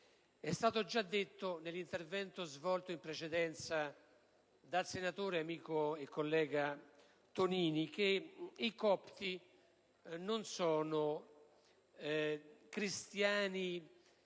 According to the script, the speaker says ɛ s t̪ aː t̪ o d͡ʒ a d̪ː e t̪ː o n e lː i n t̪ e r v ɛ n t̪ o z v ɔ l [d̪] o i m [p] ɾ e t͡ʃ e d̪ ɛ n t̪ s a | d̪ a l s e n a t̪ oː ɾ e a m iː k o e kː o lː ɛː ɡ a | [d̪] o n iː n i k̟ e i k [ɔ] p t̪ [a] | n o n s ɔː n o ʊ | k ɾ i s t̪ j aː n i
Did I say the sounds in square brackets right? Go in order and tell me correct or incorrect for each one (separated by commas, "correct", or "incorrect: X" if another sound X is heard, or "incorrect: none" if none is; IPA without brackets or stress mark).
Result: incorrect: t̪, correct, incorrect: t̪, correct, incorrect: i